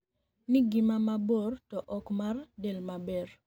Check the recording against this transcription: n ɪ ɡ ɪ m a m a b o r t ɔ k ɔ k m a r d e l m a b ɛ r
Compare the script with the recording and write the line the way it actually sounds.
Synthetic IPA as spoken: n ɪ ɡ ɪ m a m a b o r t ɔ ʔ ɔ k m a r d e l m a b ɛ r